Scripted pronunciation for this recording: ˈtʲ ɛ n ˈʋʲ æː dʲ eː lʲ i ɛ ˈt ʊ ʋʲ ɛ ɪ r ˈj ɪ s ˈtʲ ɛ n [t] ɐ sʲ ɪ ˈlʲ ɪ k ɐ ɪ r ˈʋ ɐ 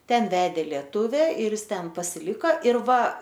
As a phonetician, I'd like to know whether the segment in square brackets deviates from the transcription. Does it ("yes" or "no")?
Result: yes